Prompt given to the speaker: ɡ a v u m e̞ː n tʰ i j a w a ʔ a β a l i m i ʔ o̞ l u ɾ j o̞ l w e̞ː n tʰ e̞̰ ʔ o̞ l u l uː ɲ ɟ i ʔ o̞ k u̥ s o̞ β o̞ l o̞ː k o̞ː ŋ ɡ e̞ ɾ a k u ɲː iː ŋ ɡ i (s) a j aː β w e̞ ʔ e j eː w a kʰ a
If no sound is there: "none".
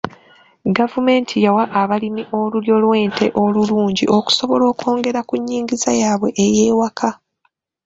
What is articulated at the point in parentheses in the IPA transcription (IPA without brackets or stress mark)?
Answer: z